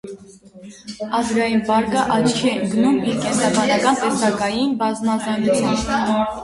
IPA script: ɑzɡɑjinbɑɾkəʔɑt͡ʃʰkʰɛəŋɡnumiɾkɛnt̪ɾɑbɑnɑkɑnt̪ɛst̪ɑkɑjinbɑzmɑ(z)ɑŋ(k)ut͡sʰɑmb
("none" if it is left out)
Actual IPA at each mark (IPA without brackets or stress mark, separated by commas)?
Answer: z, ɡ